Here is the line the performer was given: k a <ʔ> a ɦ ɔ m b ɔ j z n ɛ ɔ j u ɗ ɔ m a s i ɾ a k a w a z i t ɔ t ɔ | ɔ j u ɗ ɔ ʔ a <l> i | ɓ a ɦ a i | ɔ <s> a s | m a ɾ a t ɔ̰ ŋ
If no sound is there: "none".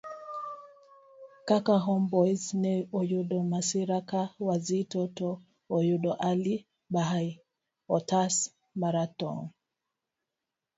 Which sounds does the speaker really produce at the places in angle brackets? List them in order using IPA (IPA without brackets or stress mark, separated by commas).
k, l, t